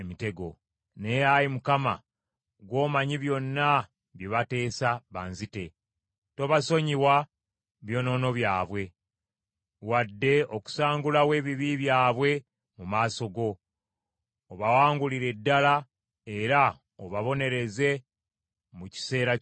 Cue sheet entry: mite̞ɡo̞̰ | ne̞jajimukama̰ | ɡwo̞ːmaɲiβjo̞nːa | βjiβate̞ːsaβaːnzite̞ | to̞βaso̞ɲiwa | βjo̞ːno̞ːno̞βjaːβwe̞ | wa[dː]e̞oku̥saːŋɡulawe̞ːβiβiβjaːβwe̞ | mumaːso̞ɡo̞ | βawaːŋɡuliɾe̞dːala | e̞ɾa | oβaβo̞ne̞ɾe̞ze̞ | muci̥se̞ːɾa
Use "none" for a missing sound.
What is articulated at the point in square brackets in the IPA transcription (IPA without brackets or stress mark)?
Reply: dː